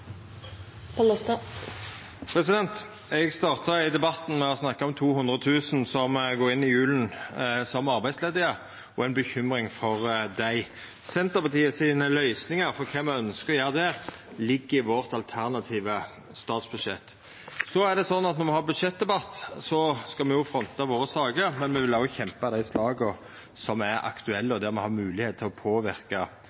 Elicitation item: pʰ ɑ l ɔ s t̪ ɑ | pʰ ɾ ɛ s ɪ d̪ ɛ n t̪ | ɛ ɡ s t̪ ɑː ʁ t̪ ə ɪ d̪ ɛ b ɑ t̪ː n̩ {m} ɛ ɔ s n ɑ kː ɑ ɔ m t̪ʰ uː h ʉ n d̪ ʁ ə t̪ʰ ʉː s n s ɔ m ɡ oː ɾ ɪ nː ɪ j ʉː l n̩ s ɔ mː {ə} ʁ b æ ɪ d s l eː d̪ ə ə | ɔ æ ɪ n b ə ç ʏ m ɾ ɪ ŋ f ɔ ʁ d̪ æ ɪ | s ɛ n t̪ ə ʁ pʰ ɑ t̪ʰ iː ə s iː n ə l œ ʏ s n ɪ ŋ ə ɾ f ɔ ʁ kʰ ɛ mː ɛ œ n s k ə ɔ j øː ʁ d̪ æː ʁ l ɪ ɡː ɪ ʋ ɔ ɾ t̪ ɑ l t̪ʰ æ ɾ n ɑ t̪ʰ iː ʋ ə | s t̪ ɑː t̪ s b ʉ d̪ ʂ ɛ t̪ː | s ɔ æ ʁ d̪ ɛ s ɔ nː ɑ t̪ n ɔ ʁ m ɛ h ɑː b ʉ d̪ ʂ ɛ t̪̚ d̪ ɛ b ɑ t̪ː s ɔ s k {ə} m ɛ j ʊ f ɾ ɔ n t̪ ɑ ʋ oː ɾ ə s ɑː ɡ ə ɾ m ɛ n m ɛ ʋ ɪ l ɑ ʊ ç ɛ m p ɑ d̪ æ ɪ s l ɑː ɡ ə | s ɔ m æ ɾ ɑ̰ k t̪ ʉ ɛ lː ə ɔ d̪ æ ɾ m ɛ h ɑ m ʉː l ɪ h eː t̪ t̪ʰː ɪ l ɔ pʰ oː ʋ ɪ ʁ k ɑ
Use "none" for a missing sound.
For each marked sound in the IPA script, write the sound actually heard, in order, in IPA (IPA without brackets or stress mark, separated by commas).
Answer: m, ɑ, ɑ